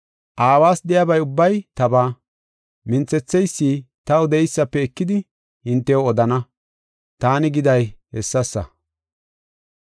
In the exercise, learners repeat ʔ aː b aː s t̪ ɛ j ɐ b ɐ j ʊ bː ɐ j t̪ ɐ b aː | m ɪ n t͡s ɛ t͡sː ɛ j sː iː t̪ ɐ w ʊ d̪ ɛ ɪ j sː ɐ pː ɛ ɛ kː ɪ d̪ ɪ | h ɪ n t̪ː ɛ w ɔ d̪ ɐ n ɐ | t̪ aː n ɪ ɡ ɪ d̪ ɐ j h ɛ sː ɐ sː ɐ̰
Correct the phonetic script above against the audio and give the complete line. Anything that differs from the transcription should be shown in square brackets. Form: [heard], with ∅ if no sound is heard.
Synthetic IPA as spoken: ʔ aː [w] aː s [d̪] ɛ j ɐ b ɐ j ʊ bː ɐ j t̪ ɐ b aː | m ɪ n t͡s ɛ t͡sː ɛ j sː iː t̪ ɐ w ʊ d̪ ɛ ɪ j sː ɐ pː ɛ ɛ kː ɪ d̪ ɪ | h ɪ n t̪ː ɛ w ɔ d̪ ɐ n ɐ | t̪ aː n ɪ ɡ ɪ d̪ ɐ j h ɛ sː ɐ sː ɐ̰